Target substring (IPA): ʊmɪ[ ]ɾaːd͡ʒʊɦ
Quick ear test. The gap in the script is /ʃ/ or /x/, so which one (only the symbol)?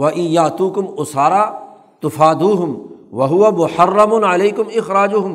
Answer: x